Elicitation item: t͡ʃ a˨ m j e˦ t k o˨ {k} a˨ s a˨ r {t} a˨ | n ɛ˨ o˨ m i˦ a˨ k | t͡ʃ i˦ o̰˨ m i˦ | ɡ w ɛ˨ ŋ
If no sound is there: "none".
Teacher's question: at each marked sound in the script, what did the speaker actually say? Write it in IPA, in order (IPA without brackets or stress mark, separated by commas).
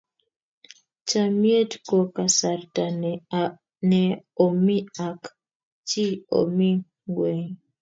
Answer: k, t